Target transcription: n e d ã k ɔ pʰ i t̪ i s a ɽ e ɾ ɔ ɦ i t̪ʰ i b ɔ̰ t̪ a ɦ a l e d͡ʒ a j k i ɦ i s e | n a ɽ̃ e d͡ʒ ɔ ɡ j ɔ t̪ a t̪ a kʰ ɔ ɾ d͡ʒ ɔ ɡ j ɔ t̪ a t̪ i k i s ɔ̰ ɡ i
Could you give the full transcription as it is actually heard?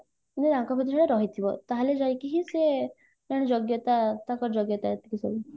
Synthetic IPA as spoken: n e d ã k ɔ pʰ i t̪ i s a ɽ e ɾ ɔ ɦ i t̪ʰ i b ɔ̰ t̪ a ɦ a l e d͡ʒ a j k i ɦ i s e | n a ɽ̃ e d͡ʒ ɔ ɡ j ɔ t̪ a t̪ a k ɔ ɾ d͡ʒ ɔ ɡ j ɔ t̪ a t̪ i k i s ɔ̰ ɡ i